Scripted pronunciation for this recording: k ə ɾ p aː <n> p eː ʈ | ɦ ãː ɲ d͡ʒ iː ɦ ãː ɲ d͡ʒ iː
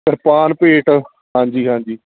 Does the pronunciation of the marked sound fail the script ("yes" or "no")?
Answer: no